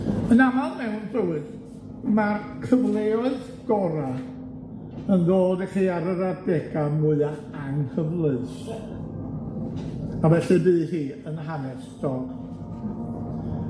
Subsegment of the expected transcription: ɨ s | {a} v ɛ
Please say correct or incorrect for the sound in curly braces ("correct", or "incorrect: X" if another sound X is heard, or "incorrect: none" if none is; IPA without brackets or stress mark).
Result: correct